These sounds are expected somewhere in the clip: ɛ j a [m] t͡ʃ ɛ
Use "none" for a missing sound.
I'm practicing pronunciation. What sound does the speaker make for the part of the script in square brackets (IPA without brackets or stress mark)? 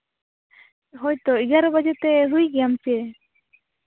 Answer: m